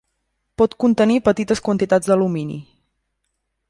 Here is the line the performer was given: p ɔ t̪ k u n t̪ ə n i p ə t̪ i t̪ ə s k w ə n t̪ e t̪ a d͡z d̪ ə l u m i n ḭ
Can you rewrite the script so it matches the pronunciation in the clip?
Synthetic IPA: p ɔ t̪ k u n t̪ ə n i p ə t̪ i t̪ ə s k w ə n t̪ i t̪ a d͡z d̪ ə l u m i n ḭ